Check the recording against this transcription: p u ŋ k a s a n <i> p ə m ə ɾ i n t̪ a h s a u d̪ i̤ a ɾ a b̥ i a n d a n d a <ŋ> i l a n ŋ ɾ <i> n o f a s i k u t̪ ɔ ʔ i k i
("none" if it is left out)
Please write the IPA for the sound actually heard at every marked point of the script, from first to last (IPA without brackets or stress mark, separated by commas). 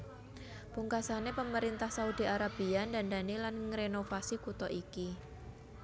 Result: e, n, e